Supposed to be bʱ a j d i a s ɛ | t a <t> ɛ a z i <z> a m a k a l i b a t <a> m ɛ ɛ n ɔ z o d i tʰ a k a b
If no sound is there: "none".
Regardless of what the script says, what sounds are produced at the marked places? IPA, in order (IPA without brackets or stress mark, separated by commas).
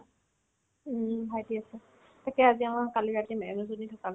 k, none, i